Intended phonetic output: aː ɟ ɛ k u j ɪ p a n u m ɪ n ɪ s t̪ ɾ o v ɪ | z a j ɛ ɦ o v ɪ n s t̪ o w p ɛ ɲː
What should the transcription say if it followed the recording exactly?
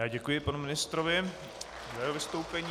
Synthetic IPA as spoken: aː ɟ ɛ k u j ɪ p a n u m ɪ n ɪ s t̪ ɾ o v ɪ | z a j ɛ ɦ o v ɪ s t̪ o w p ɛ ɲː